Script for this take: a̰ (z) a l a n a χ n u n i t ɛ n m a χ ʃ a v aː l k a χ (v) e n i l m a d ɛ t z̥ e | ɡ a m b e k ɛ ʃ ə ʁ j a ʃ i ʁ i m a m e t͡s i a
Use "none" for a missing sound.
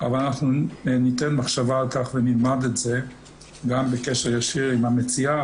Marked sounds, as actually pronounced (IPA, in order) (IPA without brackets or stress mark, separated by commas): v, v